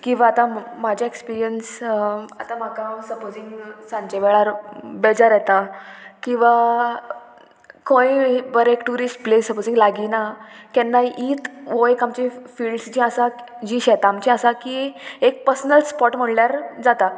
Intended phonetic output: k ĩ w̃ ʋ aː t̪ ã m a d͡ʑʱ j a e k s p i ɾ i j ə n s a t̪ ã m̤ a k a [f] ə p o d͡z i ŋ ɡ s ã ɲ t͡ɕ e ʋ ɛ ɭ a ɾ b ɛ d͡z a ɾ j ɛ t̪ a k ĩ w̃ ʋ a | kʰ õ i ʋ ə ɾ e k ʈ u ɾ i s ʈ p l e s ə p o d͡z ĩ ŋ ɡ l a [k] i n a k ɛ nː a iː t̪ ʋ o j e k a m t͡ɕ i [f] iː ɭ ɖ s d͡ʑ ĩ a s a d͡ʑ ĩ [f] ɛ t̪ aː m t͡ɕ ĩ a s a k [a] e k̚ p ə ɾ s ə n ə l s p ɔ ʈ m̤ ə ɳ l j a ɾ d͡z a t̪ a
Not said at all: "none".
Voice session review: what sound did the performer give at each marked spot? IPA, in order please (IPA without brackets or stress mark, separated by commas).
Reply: s, ɡ, f, ɕ, i